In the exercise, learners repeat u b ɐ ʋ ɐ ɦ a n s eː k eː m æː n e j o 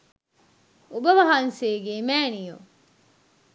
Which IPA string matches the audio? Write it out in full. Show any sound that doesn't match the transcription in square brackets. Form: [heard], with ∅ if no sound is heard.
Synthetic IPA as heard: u b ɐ ʋ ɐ ɦ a n s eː [ɡ] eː m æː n [i] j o